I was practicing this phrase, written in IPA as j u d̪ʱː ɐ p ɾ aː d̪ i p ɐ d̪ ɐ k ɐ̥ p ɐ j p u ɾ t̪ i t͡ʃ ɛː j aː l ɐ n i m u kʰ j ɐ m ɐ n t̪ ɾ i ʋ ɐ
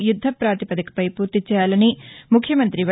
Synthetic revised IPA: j u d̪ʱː ɐ p ɾ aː t̪ i p ɐ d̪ ɐ k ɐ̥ p ɐ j p uː ɾ t̪ i t͡ʃ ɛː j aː l ɐ n i m u kʰ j ɐ m ɐ n t̪ ɾ i ʋ ɐ

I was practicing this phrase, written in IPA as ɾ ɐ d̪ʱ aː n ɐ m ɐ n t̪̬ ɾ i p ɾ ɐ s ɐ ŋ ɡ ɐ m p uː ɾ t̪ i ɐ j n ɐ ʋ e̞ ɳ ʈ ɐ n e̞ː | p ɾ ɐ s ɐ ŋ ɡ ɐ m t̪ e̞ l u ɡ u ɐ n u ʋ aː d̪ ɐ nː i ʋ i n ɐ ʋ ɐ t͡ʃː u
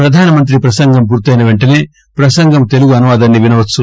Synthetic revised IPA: ɾ ɐ d̪ʱ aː n ɐ m ɐ n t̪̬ ɾ i p ɾ ɐ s ɐ ŋ ɡ ɐ m p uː ɾ t̪ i ɐ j n ɐ ʋ e̞ ɳ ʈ ɐ n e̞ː | p ɾ ɐ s ɐ ŋ ɡ ɐ m t̪ e̞ l u ɡ u ɐ n u ʋ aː d̪ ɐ nː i ʋ i n ɐ ʋ ɐ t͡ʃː u

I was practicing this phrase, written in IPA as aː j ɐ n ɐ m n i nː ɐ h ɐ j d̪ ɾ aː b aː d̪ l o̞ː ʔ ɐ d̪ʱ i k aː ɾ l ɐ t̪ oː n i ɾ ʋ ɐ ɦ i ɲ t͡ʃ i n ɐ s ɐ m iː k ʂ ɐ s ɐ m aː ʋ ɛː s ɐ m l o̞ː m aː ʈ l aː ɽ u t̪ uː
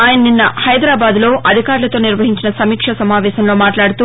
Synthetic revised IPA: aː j ɐ n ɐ n i nː ɐ h ɐ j d̪ ɾ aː b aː d̪ l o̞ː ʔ ɐ d̪ʱ i k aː ɾ l ɐ t̪ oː n i ɾ ʋ ɐ ɦ i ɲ t͡ʃ i n ɐ s ɐ m iː k ʂ ɐ s ɐ m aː ʋ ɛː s ɐ m l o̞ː m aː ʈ l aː ɽ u t̪ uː

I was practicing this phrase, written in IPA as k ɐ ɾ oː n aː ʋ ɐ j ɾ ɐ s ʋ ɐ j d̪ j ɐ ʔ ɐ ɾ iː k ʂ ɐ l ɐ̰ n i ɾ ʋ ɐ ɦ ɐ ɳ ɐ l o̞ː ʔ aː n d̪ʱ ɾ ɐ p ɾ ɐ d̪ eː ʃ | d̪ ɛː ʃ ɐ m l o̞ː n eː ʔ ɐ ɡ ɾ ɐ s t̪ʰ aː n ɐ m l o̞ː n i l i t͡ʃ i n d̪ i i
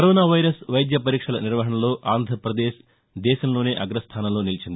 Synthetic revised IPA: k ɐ ɾ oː n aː ʋ ɐ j ɾ ɐ s ʋ ɐ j d̪ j ɐ p ɐ ɾ iː k ʂ ɐ l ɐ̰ n i ɾ ʋ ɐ ɦ ɐ ɳ ɐ l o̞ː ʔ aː n d̪ʱ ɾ ɐ p ɾ ɐ d̪ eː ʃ | d̪ ɛː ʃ ɐ m l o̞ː n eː ʔ ɐ ɡ ɾ ɐ s t̪ʰ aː n ɐ m l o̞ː n i l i t͡ʃ i n d̪ i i

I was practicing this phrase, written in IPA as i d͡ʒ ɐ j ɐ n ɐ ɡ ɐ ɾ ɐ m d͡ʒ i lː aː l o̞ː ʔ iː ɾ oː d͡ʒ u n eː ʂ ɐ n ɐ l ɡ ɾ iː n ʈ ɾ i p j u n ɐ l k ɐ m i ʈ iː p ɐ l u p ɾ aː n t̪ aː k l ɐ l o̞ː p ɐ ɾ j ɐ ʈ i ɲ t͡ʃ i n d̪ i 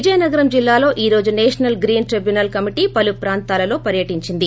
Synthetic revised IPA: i d͡ʒ ɐ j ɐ n ɐ ɡ ɐ ɾ ɐ m d͡ʒ i lː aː l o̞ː ʔ iː ɾ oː d͡ʒ u n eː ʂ ɐ n ɐ l ɡ ɾ iː n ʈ ɾ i b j u n ɐ l k ɐ m i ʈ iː p ɐ l u p ɾ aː n t̪ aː l ɐ l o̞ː p ɐ ɾ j ɐ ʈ i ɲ t͡ʃ i n d̪ i

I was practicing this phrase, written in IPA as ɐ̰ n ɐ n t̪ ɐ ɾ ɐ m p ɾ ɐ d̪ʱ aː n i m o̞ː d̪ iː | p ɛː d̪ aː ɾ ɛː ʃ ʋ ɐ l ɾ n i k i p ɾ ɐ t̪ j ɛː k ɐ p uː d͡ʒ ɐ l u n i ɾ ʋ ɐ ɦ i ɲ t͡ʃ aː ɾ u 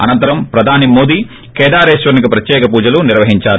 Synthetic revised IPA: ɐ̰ n ɐ n t̪ ɐ ɾ ɐ m p ɾ ɐ d̪ʱ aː n i m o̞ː d̪ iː | k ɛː d̪ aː ɾ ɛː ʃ ʋ ɐ ɾ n i k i p ɾ ɐ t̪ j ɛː k ɐ p uː d͡ʒ ɐ l u n i ɾ ʋ ɐ ɦ i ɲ t͡ʃ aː ɾ u

